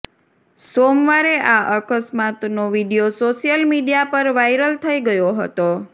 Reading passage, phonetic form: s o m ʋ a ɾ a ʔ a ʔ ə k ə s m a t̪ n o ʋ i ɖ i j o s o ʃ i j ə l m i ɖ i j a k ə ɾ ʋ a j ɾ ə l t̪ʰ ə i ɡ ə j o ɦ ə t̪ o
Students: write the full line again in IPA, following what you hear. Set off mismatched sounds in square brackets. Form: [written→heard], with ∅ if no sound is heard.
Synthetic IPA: s o m ʋ a ɾ [a→e] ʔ a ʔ ə k ə s m a t̪ n o ʋ i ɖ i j o s o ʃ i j ə l m i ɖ i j a [k→p] ə ɾ ʋ a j ɾ ə l t̪ʰ ə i ɡ ə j o ɦ ə t̪ o